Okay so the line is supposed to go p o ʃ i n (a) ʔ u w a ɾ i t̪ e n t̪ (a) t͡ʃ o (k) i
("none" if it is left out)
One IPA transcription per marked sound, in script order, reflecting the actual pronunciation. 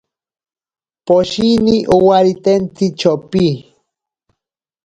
i, i, p

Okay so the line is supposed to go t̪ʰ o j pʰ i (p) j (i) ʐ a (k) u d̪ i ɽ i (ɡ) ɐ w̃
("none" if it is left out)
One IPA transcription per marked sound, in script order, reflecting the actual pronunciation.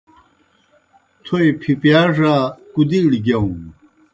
p, a, k, ɡ

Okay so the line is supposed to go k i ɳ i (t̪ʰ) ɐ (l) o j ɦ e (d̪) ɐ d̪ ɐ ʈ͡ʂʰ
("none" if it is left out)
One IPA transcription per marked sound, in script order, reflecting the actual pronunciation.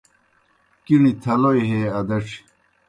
t̪ʰ, l, none

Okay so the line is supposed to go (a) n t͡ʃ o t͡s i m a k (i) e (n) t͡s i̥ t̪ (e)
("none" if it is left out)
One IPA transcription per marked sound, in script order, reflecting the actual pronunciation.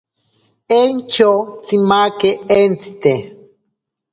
e, e, n, e

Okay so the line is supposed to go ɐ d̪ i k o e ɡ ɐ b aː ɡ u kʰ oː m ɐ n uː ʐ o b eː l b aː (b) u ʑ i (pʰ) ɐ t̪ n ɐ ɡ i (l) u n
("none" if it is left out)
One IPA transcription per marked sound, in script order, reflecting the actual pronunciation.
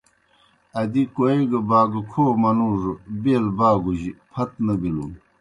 ɡ, pʰ, l

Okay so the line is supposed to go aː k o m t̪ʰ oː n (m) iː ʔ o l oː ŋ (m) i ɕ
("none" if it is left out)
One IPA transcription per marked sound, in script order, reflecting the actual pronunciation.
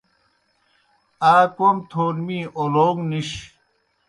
m, n

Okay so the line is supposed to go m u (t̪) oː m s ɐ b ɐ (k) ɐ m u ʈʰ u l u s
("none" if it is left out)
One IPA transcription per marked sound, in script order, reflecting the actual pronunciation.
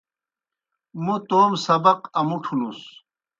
t̪, q

